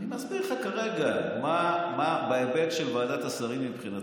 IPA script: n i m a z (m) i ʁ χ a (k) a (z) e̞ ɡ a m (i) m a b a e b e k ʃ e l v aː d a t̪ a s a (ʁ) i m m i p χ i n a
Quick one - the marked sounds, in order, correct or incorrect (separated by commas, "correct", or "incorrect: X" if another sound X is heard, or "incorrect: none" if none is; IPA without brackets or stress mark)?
incorrect: b, correct, incorrect: ʁ, incorrect: a, correct